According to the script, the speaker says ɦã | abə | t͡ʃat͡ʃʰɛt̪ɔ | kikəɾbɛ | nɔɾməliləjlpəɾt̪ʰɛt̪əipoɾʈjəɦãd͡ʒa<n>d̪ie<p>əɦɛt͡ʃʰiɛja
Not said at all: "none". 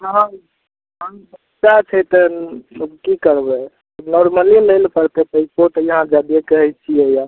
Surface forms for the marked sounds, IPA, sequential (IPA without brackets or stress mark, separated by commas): none, k